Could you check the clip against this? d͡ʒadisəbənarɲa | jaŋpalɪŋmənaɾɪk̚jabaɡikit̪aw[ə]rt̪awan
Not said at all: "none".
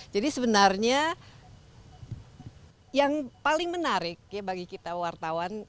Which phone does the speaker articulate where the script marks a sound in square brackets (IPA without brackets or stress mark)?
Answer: a